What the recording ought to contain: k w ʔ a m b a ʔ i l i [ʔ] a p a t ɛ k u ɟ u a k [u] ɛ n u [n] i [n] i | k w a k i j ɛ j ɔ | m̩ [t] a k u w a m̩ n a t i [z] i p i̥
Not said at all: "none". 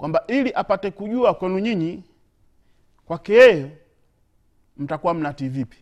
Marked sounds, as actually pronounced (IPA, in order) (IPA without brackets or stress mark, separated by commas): ʔ, w, ɲ, ɲ, t, v